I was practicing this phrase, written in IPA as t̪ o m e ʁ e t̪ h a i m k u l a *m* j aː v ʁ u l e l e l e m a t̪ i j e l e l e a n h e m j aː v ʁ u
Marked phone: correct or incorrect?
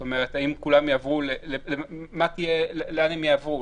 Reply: correct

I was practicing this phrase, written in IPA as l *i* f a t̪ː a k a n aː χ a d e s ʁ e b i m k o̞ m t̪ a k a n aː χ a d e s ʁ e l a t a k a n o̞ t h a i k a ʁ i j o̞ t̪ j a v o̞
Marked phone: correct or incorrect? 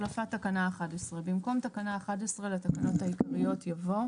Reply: incorrect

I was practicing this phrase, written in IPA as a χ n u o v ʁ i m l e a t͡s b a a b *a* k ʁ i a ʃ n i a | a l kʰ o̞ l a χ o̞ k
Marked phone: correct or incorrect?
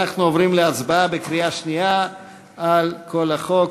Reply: incorrect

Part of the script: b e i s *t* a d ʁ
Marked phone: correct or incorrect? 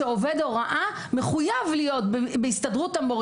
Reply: correct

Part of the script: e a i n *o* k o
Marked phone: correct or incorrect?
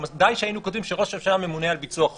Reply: incorrect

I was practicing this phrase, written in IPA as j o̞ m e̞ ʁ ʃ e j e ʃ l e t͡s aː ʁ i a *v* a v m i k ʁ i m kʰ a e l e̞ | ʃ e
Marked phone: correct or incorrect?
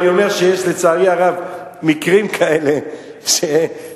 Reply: incorrect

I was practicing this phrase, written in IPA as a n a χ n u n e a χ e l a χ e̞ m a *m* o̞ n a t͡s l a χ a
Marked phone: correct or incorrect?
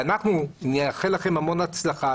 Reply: correct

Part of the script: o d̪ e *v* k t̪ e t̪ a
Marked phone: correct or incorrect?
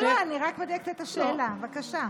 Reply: incorrect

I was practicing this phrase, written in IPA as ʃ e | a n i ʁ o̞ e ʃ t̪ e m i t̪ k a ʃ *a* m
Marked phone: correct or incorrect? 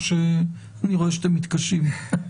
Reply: incorrect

